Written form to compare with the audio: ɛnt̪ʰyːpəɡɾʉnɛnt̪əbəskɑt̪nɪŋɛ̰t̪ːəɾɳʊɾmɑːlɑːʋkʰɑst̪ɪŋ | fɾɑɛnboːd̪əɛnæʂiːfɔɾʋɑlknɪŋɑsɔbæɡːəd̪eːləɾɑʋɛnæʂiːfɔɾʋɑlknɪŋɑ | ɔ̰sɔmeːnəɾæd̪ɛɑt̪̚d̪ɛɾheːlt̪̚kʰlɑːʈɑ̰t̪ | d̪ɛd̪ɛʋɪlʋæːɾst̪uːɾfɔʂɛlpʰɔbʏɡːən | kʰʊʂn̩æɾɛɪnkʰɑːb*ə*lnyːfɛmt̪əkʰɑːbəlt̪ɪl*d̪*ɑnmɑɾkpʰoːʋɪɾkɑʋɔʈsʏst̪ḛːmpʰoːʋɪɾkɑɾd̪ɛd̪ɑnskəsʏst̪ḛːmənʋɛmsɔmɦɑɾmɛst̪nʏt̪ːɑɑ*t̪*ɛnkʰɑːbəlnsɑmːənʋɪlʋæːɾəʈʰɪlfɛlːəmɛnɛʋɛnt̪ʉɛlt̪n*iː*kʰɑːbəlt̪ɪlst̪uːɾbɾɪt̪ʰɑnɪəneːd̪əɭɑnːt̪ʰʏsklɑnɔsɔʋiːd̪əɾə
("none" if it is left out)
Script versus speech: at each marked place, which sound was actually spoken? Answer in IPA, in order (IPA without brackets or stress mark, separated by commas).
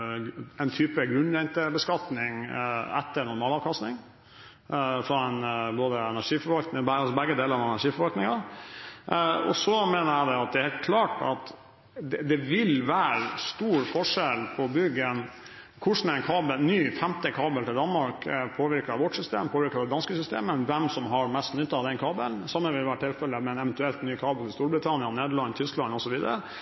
ə, d̪, d̪, yː